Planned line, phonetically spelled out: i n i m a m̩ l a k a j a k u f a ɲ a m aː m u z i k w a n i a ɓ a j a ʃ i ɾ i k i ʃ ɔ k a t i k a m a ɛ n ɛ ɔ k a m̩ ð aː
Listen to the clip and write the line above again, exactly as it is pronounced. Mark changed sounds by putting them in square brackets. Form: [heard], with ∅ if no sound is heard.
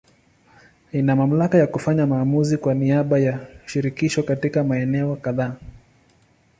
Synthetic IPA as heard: i n [a] m a m̩ l a k a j a k u f a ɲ a m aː m u z i k w a n i a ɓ a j a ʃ i ɾ i k i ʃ ɔ k a t i k a m a ɛ n ɛ ɔ k a [∅] ð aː